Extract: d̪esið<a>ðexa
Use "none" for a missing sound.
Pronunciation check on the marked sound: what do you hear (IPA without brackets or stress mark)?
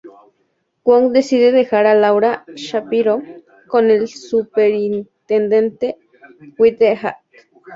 e